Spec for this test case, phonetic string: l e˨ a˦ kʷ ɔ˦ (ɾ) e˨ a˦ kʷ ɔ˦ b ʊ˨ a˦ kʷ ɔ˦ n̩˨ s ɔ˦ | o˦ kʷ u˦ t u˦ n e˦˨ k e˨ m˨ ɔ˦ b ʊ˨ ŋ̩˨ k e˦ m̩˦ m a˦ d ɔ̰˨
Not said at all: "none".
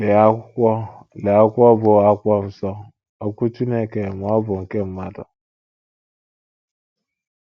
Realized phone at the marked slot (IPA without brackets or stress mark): l